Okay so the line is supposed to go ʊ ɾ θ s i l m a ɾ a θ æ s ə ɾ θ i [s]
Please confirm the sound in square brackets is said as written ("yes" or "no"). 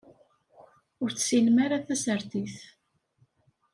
no